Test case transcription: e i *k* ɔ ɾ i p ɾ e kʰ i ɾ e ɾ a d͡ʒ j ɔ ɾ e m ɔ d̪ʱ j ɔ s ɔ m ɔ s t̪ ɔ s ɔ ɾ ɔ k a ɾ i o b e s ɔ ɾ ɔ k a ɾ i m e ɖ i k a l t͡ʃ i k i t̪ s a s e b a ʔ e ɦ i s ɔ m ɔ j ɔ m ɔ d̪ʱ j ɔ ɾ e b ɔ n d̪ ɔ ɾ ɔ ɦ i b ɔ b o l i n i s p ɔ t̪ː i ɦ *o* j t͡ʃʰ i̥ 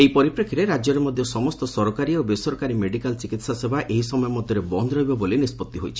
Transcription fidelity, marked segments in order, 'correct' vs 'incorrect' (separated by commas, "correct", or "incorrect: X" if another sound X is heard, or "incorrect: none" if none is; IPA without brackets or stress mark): incorrect: p, correct